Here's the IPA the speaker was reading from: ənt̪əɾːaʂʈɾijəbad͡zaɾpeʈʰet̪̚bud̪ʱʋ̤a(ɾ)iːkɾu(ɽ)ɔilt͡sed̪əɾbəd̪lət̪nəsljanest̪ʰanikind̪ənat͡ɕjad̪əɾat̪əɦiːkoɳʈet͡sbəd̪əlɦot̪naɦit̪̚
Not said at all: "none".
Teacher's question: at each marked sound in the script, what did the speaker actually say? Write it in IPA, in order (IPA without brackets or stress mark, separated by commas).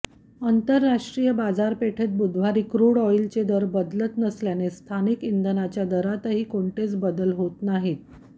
ɾ, ɽ